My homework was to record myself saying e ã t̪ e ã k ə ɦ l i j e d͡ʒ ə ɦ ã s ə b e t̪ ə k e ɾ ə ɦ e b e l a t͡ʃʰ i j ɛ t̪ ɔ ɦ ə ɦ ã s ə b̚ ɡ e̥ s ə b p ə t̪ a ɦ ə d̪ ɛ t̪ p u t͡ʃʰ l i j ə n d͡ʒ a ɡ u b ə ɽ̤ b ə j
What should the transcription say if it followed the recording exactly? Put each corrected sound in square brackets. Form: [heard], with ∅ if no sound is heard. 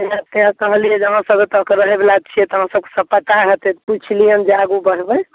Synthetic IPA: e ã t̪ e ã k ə ɦ l i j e d͡ʒ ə ɦ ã s ə b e t̪ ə k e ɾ ə ɦ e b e l a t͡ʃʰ i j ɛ t̪ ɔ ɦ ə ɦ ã s ə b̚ [k] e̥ s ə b p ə t̪ a ɦ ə [t̪] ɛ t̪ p u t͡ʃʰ l i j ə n d͡ʒ a ɡ u b ə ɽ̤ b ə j